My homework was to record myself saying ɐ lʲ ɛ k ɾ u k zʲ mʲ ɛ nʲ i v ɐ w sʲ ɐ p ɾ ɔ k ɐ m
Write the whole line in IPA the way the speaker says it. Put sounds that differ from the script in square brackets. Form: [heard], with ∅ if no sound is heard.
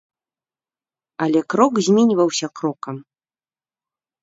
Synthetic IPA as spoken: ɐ lʲ ɛ k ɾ [ɔ] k zʲ mʲ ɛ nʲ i v ɐ w sʲ ɐ [k] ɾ ɔ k ɐ m